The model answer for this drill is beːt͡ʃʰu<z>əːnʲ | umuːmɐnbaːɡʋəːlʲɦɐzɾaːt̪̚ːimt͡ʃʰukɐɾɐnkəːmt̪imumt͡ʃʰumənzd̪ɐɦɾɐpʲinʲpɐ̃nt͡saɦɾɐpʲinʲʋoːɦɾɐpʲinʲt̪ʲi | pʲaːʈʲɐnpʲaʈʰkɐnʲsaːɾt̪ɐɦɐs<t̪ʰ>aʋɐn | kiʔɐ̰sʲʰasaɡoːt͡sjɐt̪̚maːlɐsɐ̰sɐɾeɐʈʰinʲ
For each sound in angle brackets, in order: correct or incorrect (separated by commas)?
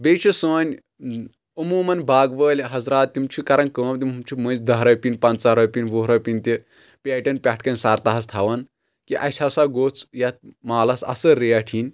incorrect, correct